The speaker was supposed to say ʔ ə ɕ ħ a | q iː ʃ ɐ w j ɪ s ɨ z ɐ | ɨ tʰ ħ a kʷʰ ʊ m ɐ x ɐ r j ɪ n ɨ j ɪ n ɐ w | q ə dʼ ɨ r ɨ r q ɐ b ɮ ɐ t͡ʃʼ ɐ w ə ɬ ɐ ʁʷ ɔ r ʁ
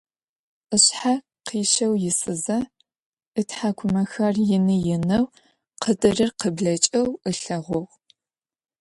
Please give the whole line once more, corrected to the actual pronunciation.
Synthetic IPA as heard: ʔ ə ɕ ħ a | q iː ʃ ɐ w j ɪ s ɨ z ɐ | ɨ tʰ ħ a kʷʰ ʊ m ɐ x ɐ r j ɪ n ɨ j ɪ n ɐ w | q ə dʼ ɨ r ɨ r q ə b ɮ ɐ t͡ʃʼ ɐ w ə ɬ ɐ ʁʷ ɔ ʁ